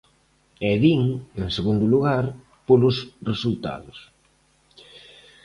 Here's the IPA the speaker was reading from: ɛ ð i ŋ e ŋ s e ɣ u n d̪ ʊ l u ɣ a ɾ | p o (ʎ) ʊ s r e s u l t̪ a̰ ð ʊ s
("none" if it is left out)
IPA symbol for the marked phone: l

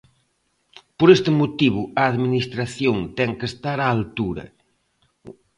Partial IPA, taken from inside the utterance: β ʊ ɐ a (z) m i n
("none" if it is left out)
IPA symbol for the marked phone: ð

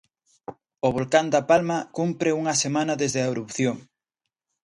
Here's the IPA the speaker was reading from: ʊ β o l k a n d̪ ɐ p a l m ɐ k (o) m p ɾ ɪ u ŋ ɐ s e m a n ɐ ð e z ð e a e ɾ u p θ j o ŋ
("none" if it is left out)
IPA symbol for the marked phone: u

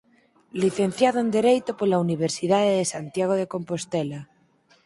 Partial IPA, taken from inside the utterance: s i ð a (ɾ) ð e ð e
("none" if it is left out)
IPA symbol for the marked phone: none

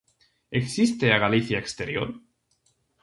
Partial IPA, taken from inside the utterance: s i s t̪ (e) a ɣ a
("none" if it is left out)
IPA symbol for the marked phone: e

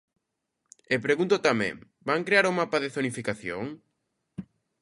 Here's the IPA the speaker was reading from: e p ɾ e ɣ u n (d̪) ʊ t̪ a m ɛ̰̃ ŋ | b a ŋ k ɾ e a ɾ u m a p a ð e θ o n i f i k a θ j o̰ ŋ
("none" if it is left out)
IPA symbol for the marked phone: t̪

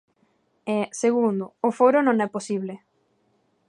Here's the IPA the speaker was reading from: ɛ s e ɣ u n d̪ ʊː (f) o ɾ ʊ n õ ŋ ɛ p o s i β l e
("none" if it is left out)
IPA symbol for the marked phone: f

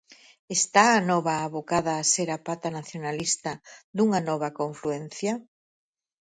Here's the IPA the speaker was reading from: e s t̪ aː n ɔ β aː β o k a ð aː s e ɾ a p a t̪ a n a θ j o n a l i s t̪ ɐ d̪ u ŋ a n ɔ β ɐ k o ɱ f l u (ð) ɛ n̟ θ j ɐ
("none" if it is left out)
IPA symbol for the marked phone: none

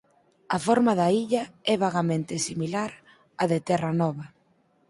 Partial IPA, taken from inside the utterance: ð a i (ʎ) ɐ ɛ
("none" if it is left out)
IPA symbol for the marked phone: ʎ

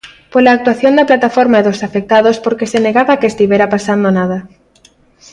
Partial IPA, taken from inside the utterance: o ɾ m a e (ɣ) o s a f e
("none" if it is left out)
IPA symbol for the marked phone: ð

